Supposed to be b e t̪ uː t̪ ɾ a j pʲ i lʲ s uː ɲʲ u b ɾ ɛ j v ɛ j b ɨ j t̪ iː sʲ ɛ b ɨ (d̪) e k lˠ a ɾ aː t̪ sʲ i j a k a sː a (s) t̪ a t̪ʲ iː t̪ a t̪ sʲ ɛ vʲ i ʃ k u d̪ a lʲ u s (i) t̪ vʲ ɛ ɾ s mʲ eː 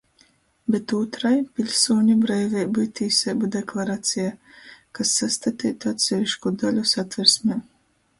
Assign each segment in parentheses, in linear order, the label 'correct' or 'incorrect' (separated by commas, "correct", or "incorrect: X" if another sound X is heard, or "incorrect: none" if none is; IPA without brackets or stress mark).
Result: correct, correct, incorrect: a